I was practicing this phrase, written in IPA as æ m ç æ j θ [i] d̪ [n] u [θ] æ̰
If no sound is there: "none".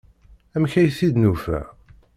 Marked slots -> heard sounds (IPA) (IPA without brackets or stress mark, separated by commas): i, n, f